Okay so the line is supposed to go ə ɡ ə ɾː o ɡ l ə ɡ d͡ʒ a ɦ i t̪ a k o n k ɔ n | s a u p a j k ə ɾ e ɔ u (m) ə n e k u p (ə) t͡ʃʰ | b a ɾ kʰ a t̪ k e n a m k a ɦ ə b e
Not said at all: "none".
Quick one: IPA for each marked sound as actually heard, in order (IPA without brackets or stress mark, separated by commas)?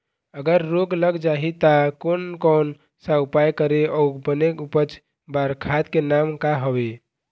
b, ə